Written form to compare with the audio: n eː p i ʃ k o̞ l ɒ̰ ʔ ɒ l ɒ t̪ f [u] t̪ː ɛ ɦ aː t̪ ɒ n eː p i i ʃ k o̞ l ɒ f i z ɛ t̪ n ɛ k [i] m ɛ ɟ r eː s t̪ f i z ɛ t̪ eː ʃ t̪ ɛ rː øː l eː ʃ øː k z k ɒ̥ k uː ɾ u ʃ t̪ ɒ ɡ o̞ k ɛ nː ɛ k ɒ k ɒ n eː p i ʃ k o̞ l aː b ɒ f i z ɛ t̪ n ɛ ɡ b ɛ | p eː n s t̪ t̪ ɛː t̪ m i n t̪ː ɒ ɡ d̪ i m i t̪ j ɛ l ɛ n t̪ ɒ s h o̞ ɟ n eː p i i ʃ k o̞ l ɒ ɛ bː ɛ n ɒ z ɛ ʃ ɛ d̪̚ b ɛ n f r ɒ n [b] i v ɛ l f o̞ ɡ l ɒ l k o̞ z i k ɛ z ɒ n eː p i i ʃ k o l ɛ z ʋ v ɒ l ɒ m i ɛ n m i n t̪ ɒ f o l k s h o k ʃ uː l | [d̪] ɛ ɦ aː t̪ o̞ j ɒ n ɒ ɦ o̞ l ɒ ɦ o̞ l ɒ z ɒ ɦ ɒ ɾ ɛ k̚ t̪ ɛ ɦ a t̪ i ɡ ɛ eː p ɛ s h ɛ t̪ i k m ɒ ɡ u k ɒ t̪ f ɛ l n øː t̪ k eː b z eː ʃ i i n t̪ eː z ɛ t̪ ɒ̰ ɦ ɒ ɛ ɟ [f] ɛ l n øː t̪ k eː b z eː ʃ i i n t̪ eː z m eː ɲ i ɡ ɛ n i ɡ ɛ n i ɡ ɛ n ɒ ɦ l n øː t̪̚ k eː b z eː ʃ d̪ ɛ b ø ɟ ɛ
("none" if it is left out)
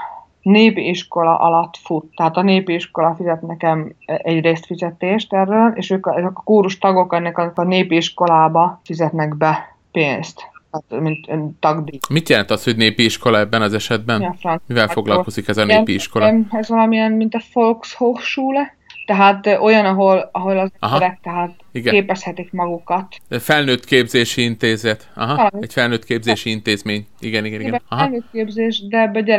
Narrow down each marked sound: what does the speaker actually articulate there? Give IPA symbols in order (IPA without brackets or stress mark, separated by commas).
u, ɛ, m, t̪, f